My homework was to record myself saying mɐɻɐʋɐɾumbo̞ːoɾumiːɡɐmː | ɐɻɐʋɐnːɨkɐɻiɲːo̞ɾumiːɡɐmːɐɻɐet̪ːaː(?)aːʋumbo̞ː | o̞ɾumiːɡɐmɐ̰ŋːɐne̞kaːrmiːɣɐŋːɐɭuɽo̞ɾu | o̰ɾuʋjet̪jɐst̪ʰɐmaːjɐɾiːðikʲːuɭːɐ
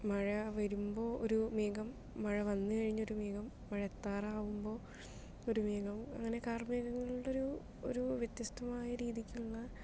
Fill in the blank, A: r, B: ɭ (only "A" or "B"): A